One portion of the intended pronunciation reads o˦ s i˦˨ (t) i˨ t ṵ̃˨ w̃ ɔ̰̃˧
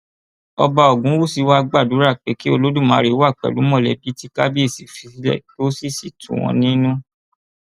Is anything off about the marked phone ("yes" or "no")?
yes